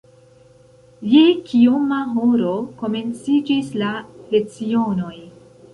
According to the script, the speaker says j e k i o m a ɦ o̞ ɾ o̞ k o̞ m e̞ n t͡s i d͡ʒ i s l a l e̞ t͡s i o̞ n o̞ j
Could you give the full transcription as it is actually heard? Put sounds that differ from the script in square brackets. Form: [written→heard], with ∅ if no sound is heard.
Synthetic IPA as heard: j e k i o m a ɦ o̞ ɾ o̞ k o̞ m e̞ n t͡s i d͡ʒ i s l a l e̞ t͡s i o̞ n o̞ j